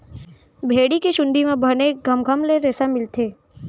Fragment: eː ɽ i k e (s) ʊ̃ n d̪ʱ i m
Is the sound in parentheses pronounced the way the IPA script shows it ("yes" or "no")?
no